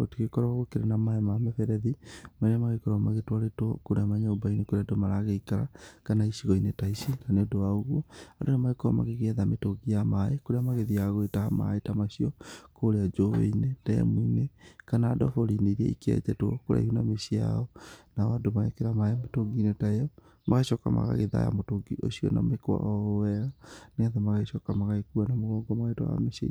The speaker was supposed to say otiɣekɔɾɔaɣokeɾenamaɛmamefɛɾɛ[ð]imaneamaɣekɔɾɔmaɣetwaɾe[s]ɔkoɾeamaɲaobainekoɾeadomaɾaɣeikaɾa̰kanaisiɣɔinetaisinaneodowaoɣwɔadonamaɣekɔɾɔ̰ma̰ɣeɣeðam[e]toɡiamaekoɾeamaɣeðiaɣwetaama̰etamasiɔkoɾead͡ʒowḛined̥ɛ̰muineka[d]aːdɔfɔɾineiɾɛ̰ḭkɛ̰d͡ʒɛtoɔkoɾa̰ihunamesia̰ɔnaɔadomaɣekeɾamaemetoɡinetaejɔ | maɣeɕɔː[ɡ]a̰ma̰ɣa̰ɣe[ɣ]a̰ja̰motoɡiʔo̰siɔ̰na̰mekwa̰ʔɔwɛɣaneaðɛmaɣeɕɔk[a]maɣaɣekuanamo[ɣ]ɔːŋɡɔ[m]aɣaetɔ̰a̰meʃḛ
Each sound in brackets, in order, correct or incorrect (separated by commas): correct, incorrect, correct, incorrect, incorrect, incorrect, correct, correct, correct